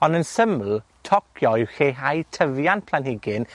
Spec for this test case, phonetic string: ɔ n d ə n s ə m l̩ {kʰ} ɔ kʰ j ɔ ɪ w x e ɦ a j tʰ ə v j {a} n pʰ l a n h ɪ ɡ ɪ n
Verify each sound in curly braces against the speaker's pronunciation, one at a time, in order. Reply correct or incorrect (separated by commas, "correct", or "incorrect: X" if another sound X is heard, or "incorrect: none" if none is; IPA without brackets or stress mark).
incorrect: tʰ, correct